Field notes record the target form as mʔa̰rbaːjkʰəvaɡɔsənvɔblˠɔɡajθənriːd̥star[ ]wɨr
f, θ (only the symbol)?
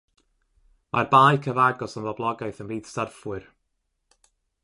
f